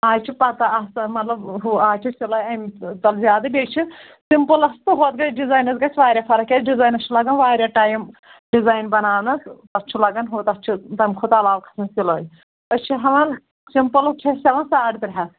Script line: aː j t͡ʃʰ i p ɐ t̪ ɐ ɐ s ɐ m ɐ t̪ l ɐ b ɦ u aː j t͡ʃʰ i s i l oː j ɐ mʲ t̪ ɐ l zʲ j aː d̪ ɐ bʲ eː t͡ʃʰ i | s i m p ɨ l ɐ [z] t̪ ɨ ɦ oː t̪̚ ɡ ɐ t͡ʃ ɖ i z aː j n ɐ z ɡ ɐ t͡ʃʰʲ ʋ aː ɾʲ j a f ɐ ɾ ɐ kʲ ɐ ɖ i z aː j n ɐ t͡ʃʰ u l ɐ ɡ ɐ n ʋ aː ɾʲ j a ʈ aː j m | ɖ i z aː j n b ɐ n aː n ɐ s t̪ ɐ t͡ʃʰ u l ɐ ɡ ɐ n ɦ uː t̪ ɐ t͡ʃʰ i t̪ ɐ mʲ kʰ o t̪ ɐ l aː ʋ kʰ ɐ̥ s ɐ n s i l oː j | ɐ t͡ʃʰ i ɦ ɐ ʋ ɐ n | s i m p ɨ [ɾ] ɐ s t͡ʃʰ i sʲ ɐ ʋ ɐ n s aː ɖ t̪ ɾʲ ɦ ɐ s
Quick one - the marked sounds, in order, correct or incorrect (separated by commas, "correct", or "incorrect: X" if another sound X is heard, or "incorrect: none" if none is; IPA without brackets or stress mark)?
incorrect: s, incorrect: l